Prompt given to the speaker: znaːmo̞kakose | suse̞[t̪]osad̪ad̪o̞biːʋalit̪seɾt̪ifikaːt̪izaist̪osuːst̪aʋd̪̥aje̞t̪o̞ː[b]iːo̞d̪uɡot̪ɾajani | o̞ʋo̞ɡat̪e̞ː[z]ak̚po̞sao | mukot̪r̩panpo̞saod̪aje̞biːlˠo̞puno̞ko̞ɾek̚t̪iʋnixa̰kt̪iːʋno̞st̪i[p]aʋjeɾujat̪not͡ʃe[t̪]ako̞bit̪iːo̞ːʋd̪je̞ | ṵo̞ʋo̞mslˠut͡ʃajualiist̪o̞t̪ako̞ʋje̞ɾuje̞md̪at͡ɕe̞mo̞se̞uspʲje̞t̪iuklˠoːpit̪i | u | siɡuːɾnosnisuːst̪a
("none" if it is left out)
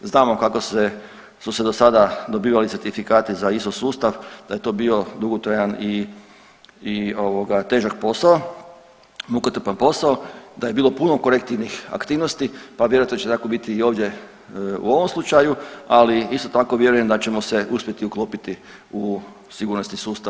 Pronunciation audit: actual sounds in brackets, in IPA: d̪, b, ʒ, p, t̪

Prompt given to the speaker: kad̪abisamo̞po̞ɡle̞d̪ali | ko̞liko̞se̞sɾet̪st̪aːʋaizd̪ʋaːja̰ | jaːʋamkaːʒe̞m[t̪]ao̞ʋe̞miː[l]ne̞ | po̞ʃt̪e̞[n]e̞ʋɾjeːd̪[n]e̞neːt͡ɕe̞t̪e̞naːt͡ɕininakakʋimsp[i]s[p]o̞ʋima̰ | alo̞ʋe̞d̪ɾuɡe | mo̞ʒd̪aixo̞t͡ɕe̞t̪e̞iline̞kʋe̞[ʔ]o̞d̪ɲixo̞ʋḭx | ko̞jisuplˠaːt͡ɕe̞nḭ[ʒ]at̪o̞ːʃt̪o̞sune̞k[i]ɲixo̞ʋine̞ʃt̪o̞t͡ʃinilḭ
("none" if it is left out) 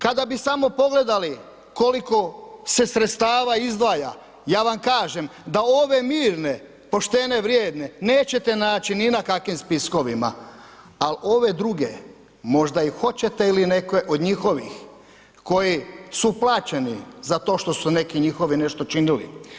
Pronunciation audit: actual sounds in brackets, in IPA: d̪, ɾ, n, n, i, k, ʔ, z, i

